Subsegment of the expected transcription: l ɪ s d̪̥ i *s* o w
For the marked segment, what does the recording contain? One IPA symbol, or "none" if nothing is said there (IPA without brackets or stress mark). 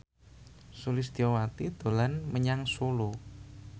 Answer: none